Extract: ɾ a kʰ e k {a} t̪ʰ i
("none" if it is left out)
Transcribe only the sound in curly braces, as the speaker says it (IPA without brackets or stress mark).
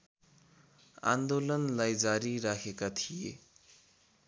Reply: a